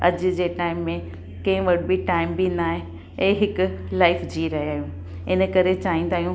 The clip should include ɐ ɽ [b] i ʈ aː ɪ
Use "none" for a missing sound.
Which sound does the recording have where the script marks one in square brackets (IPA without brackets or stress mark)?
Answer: b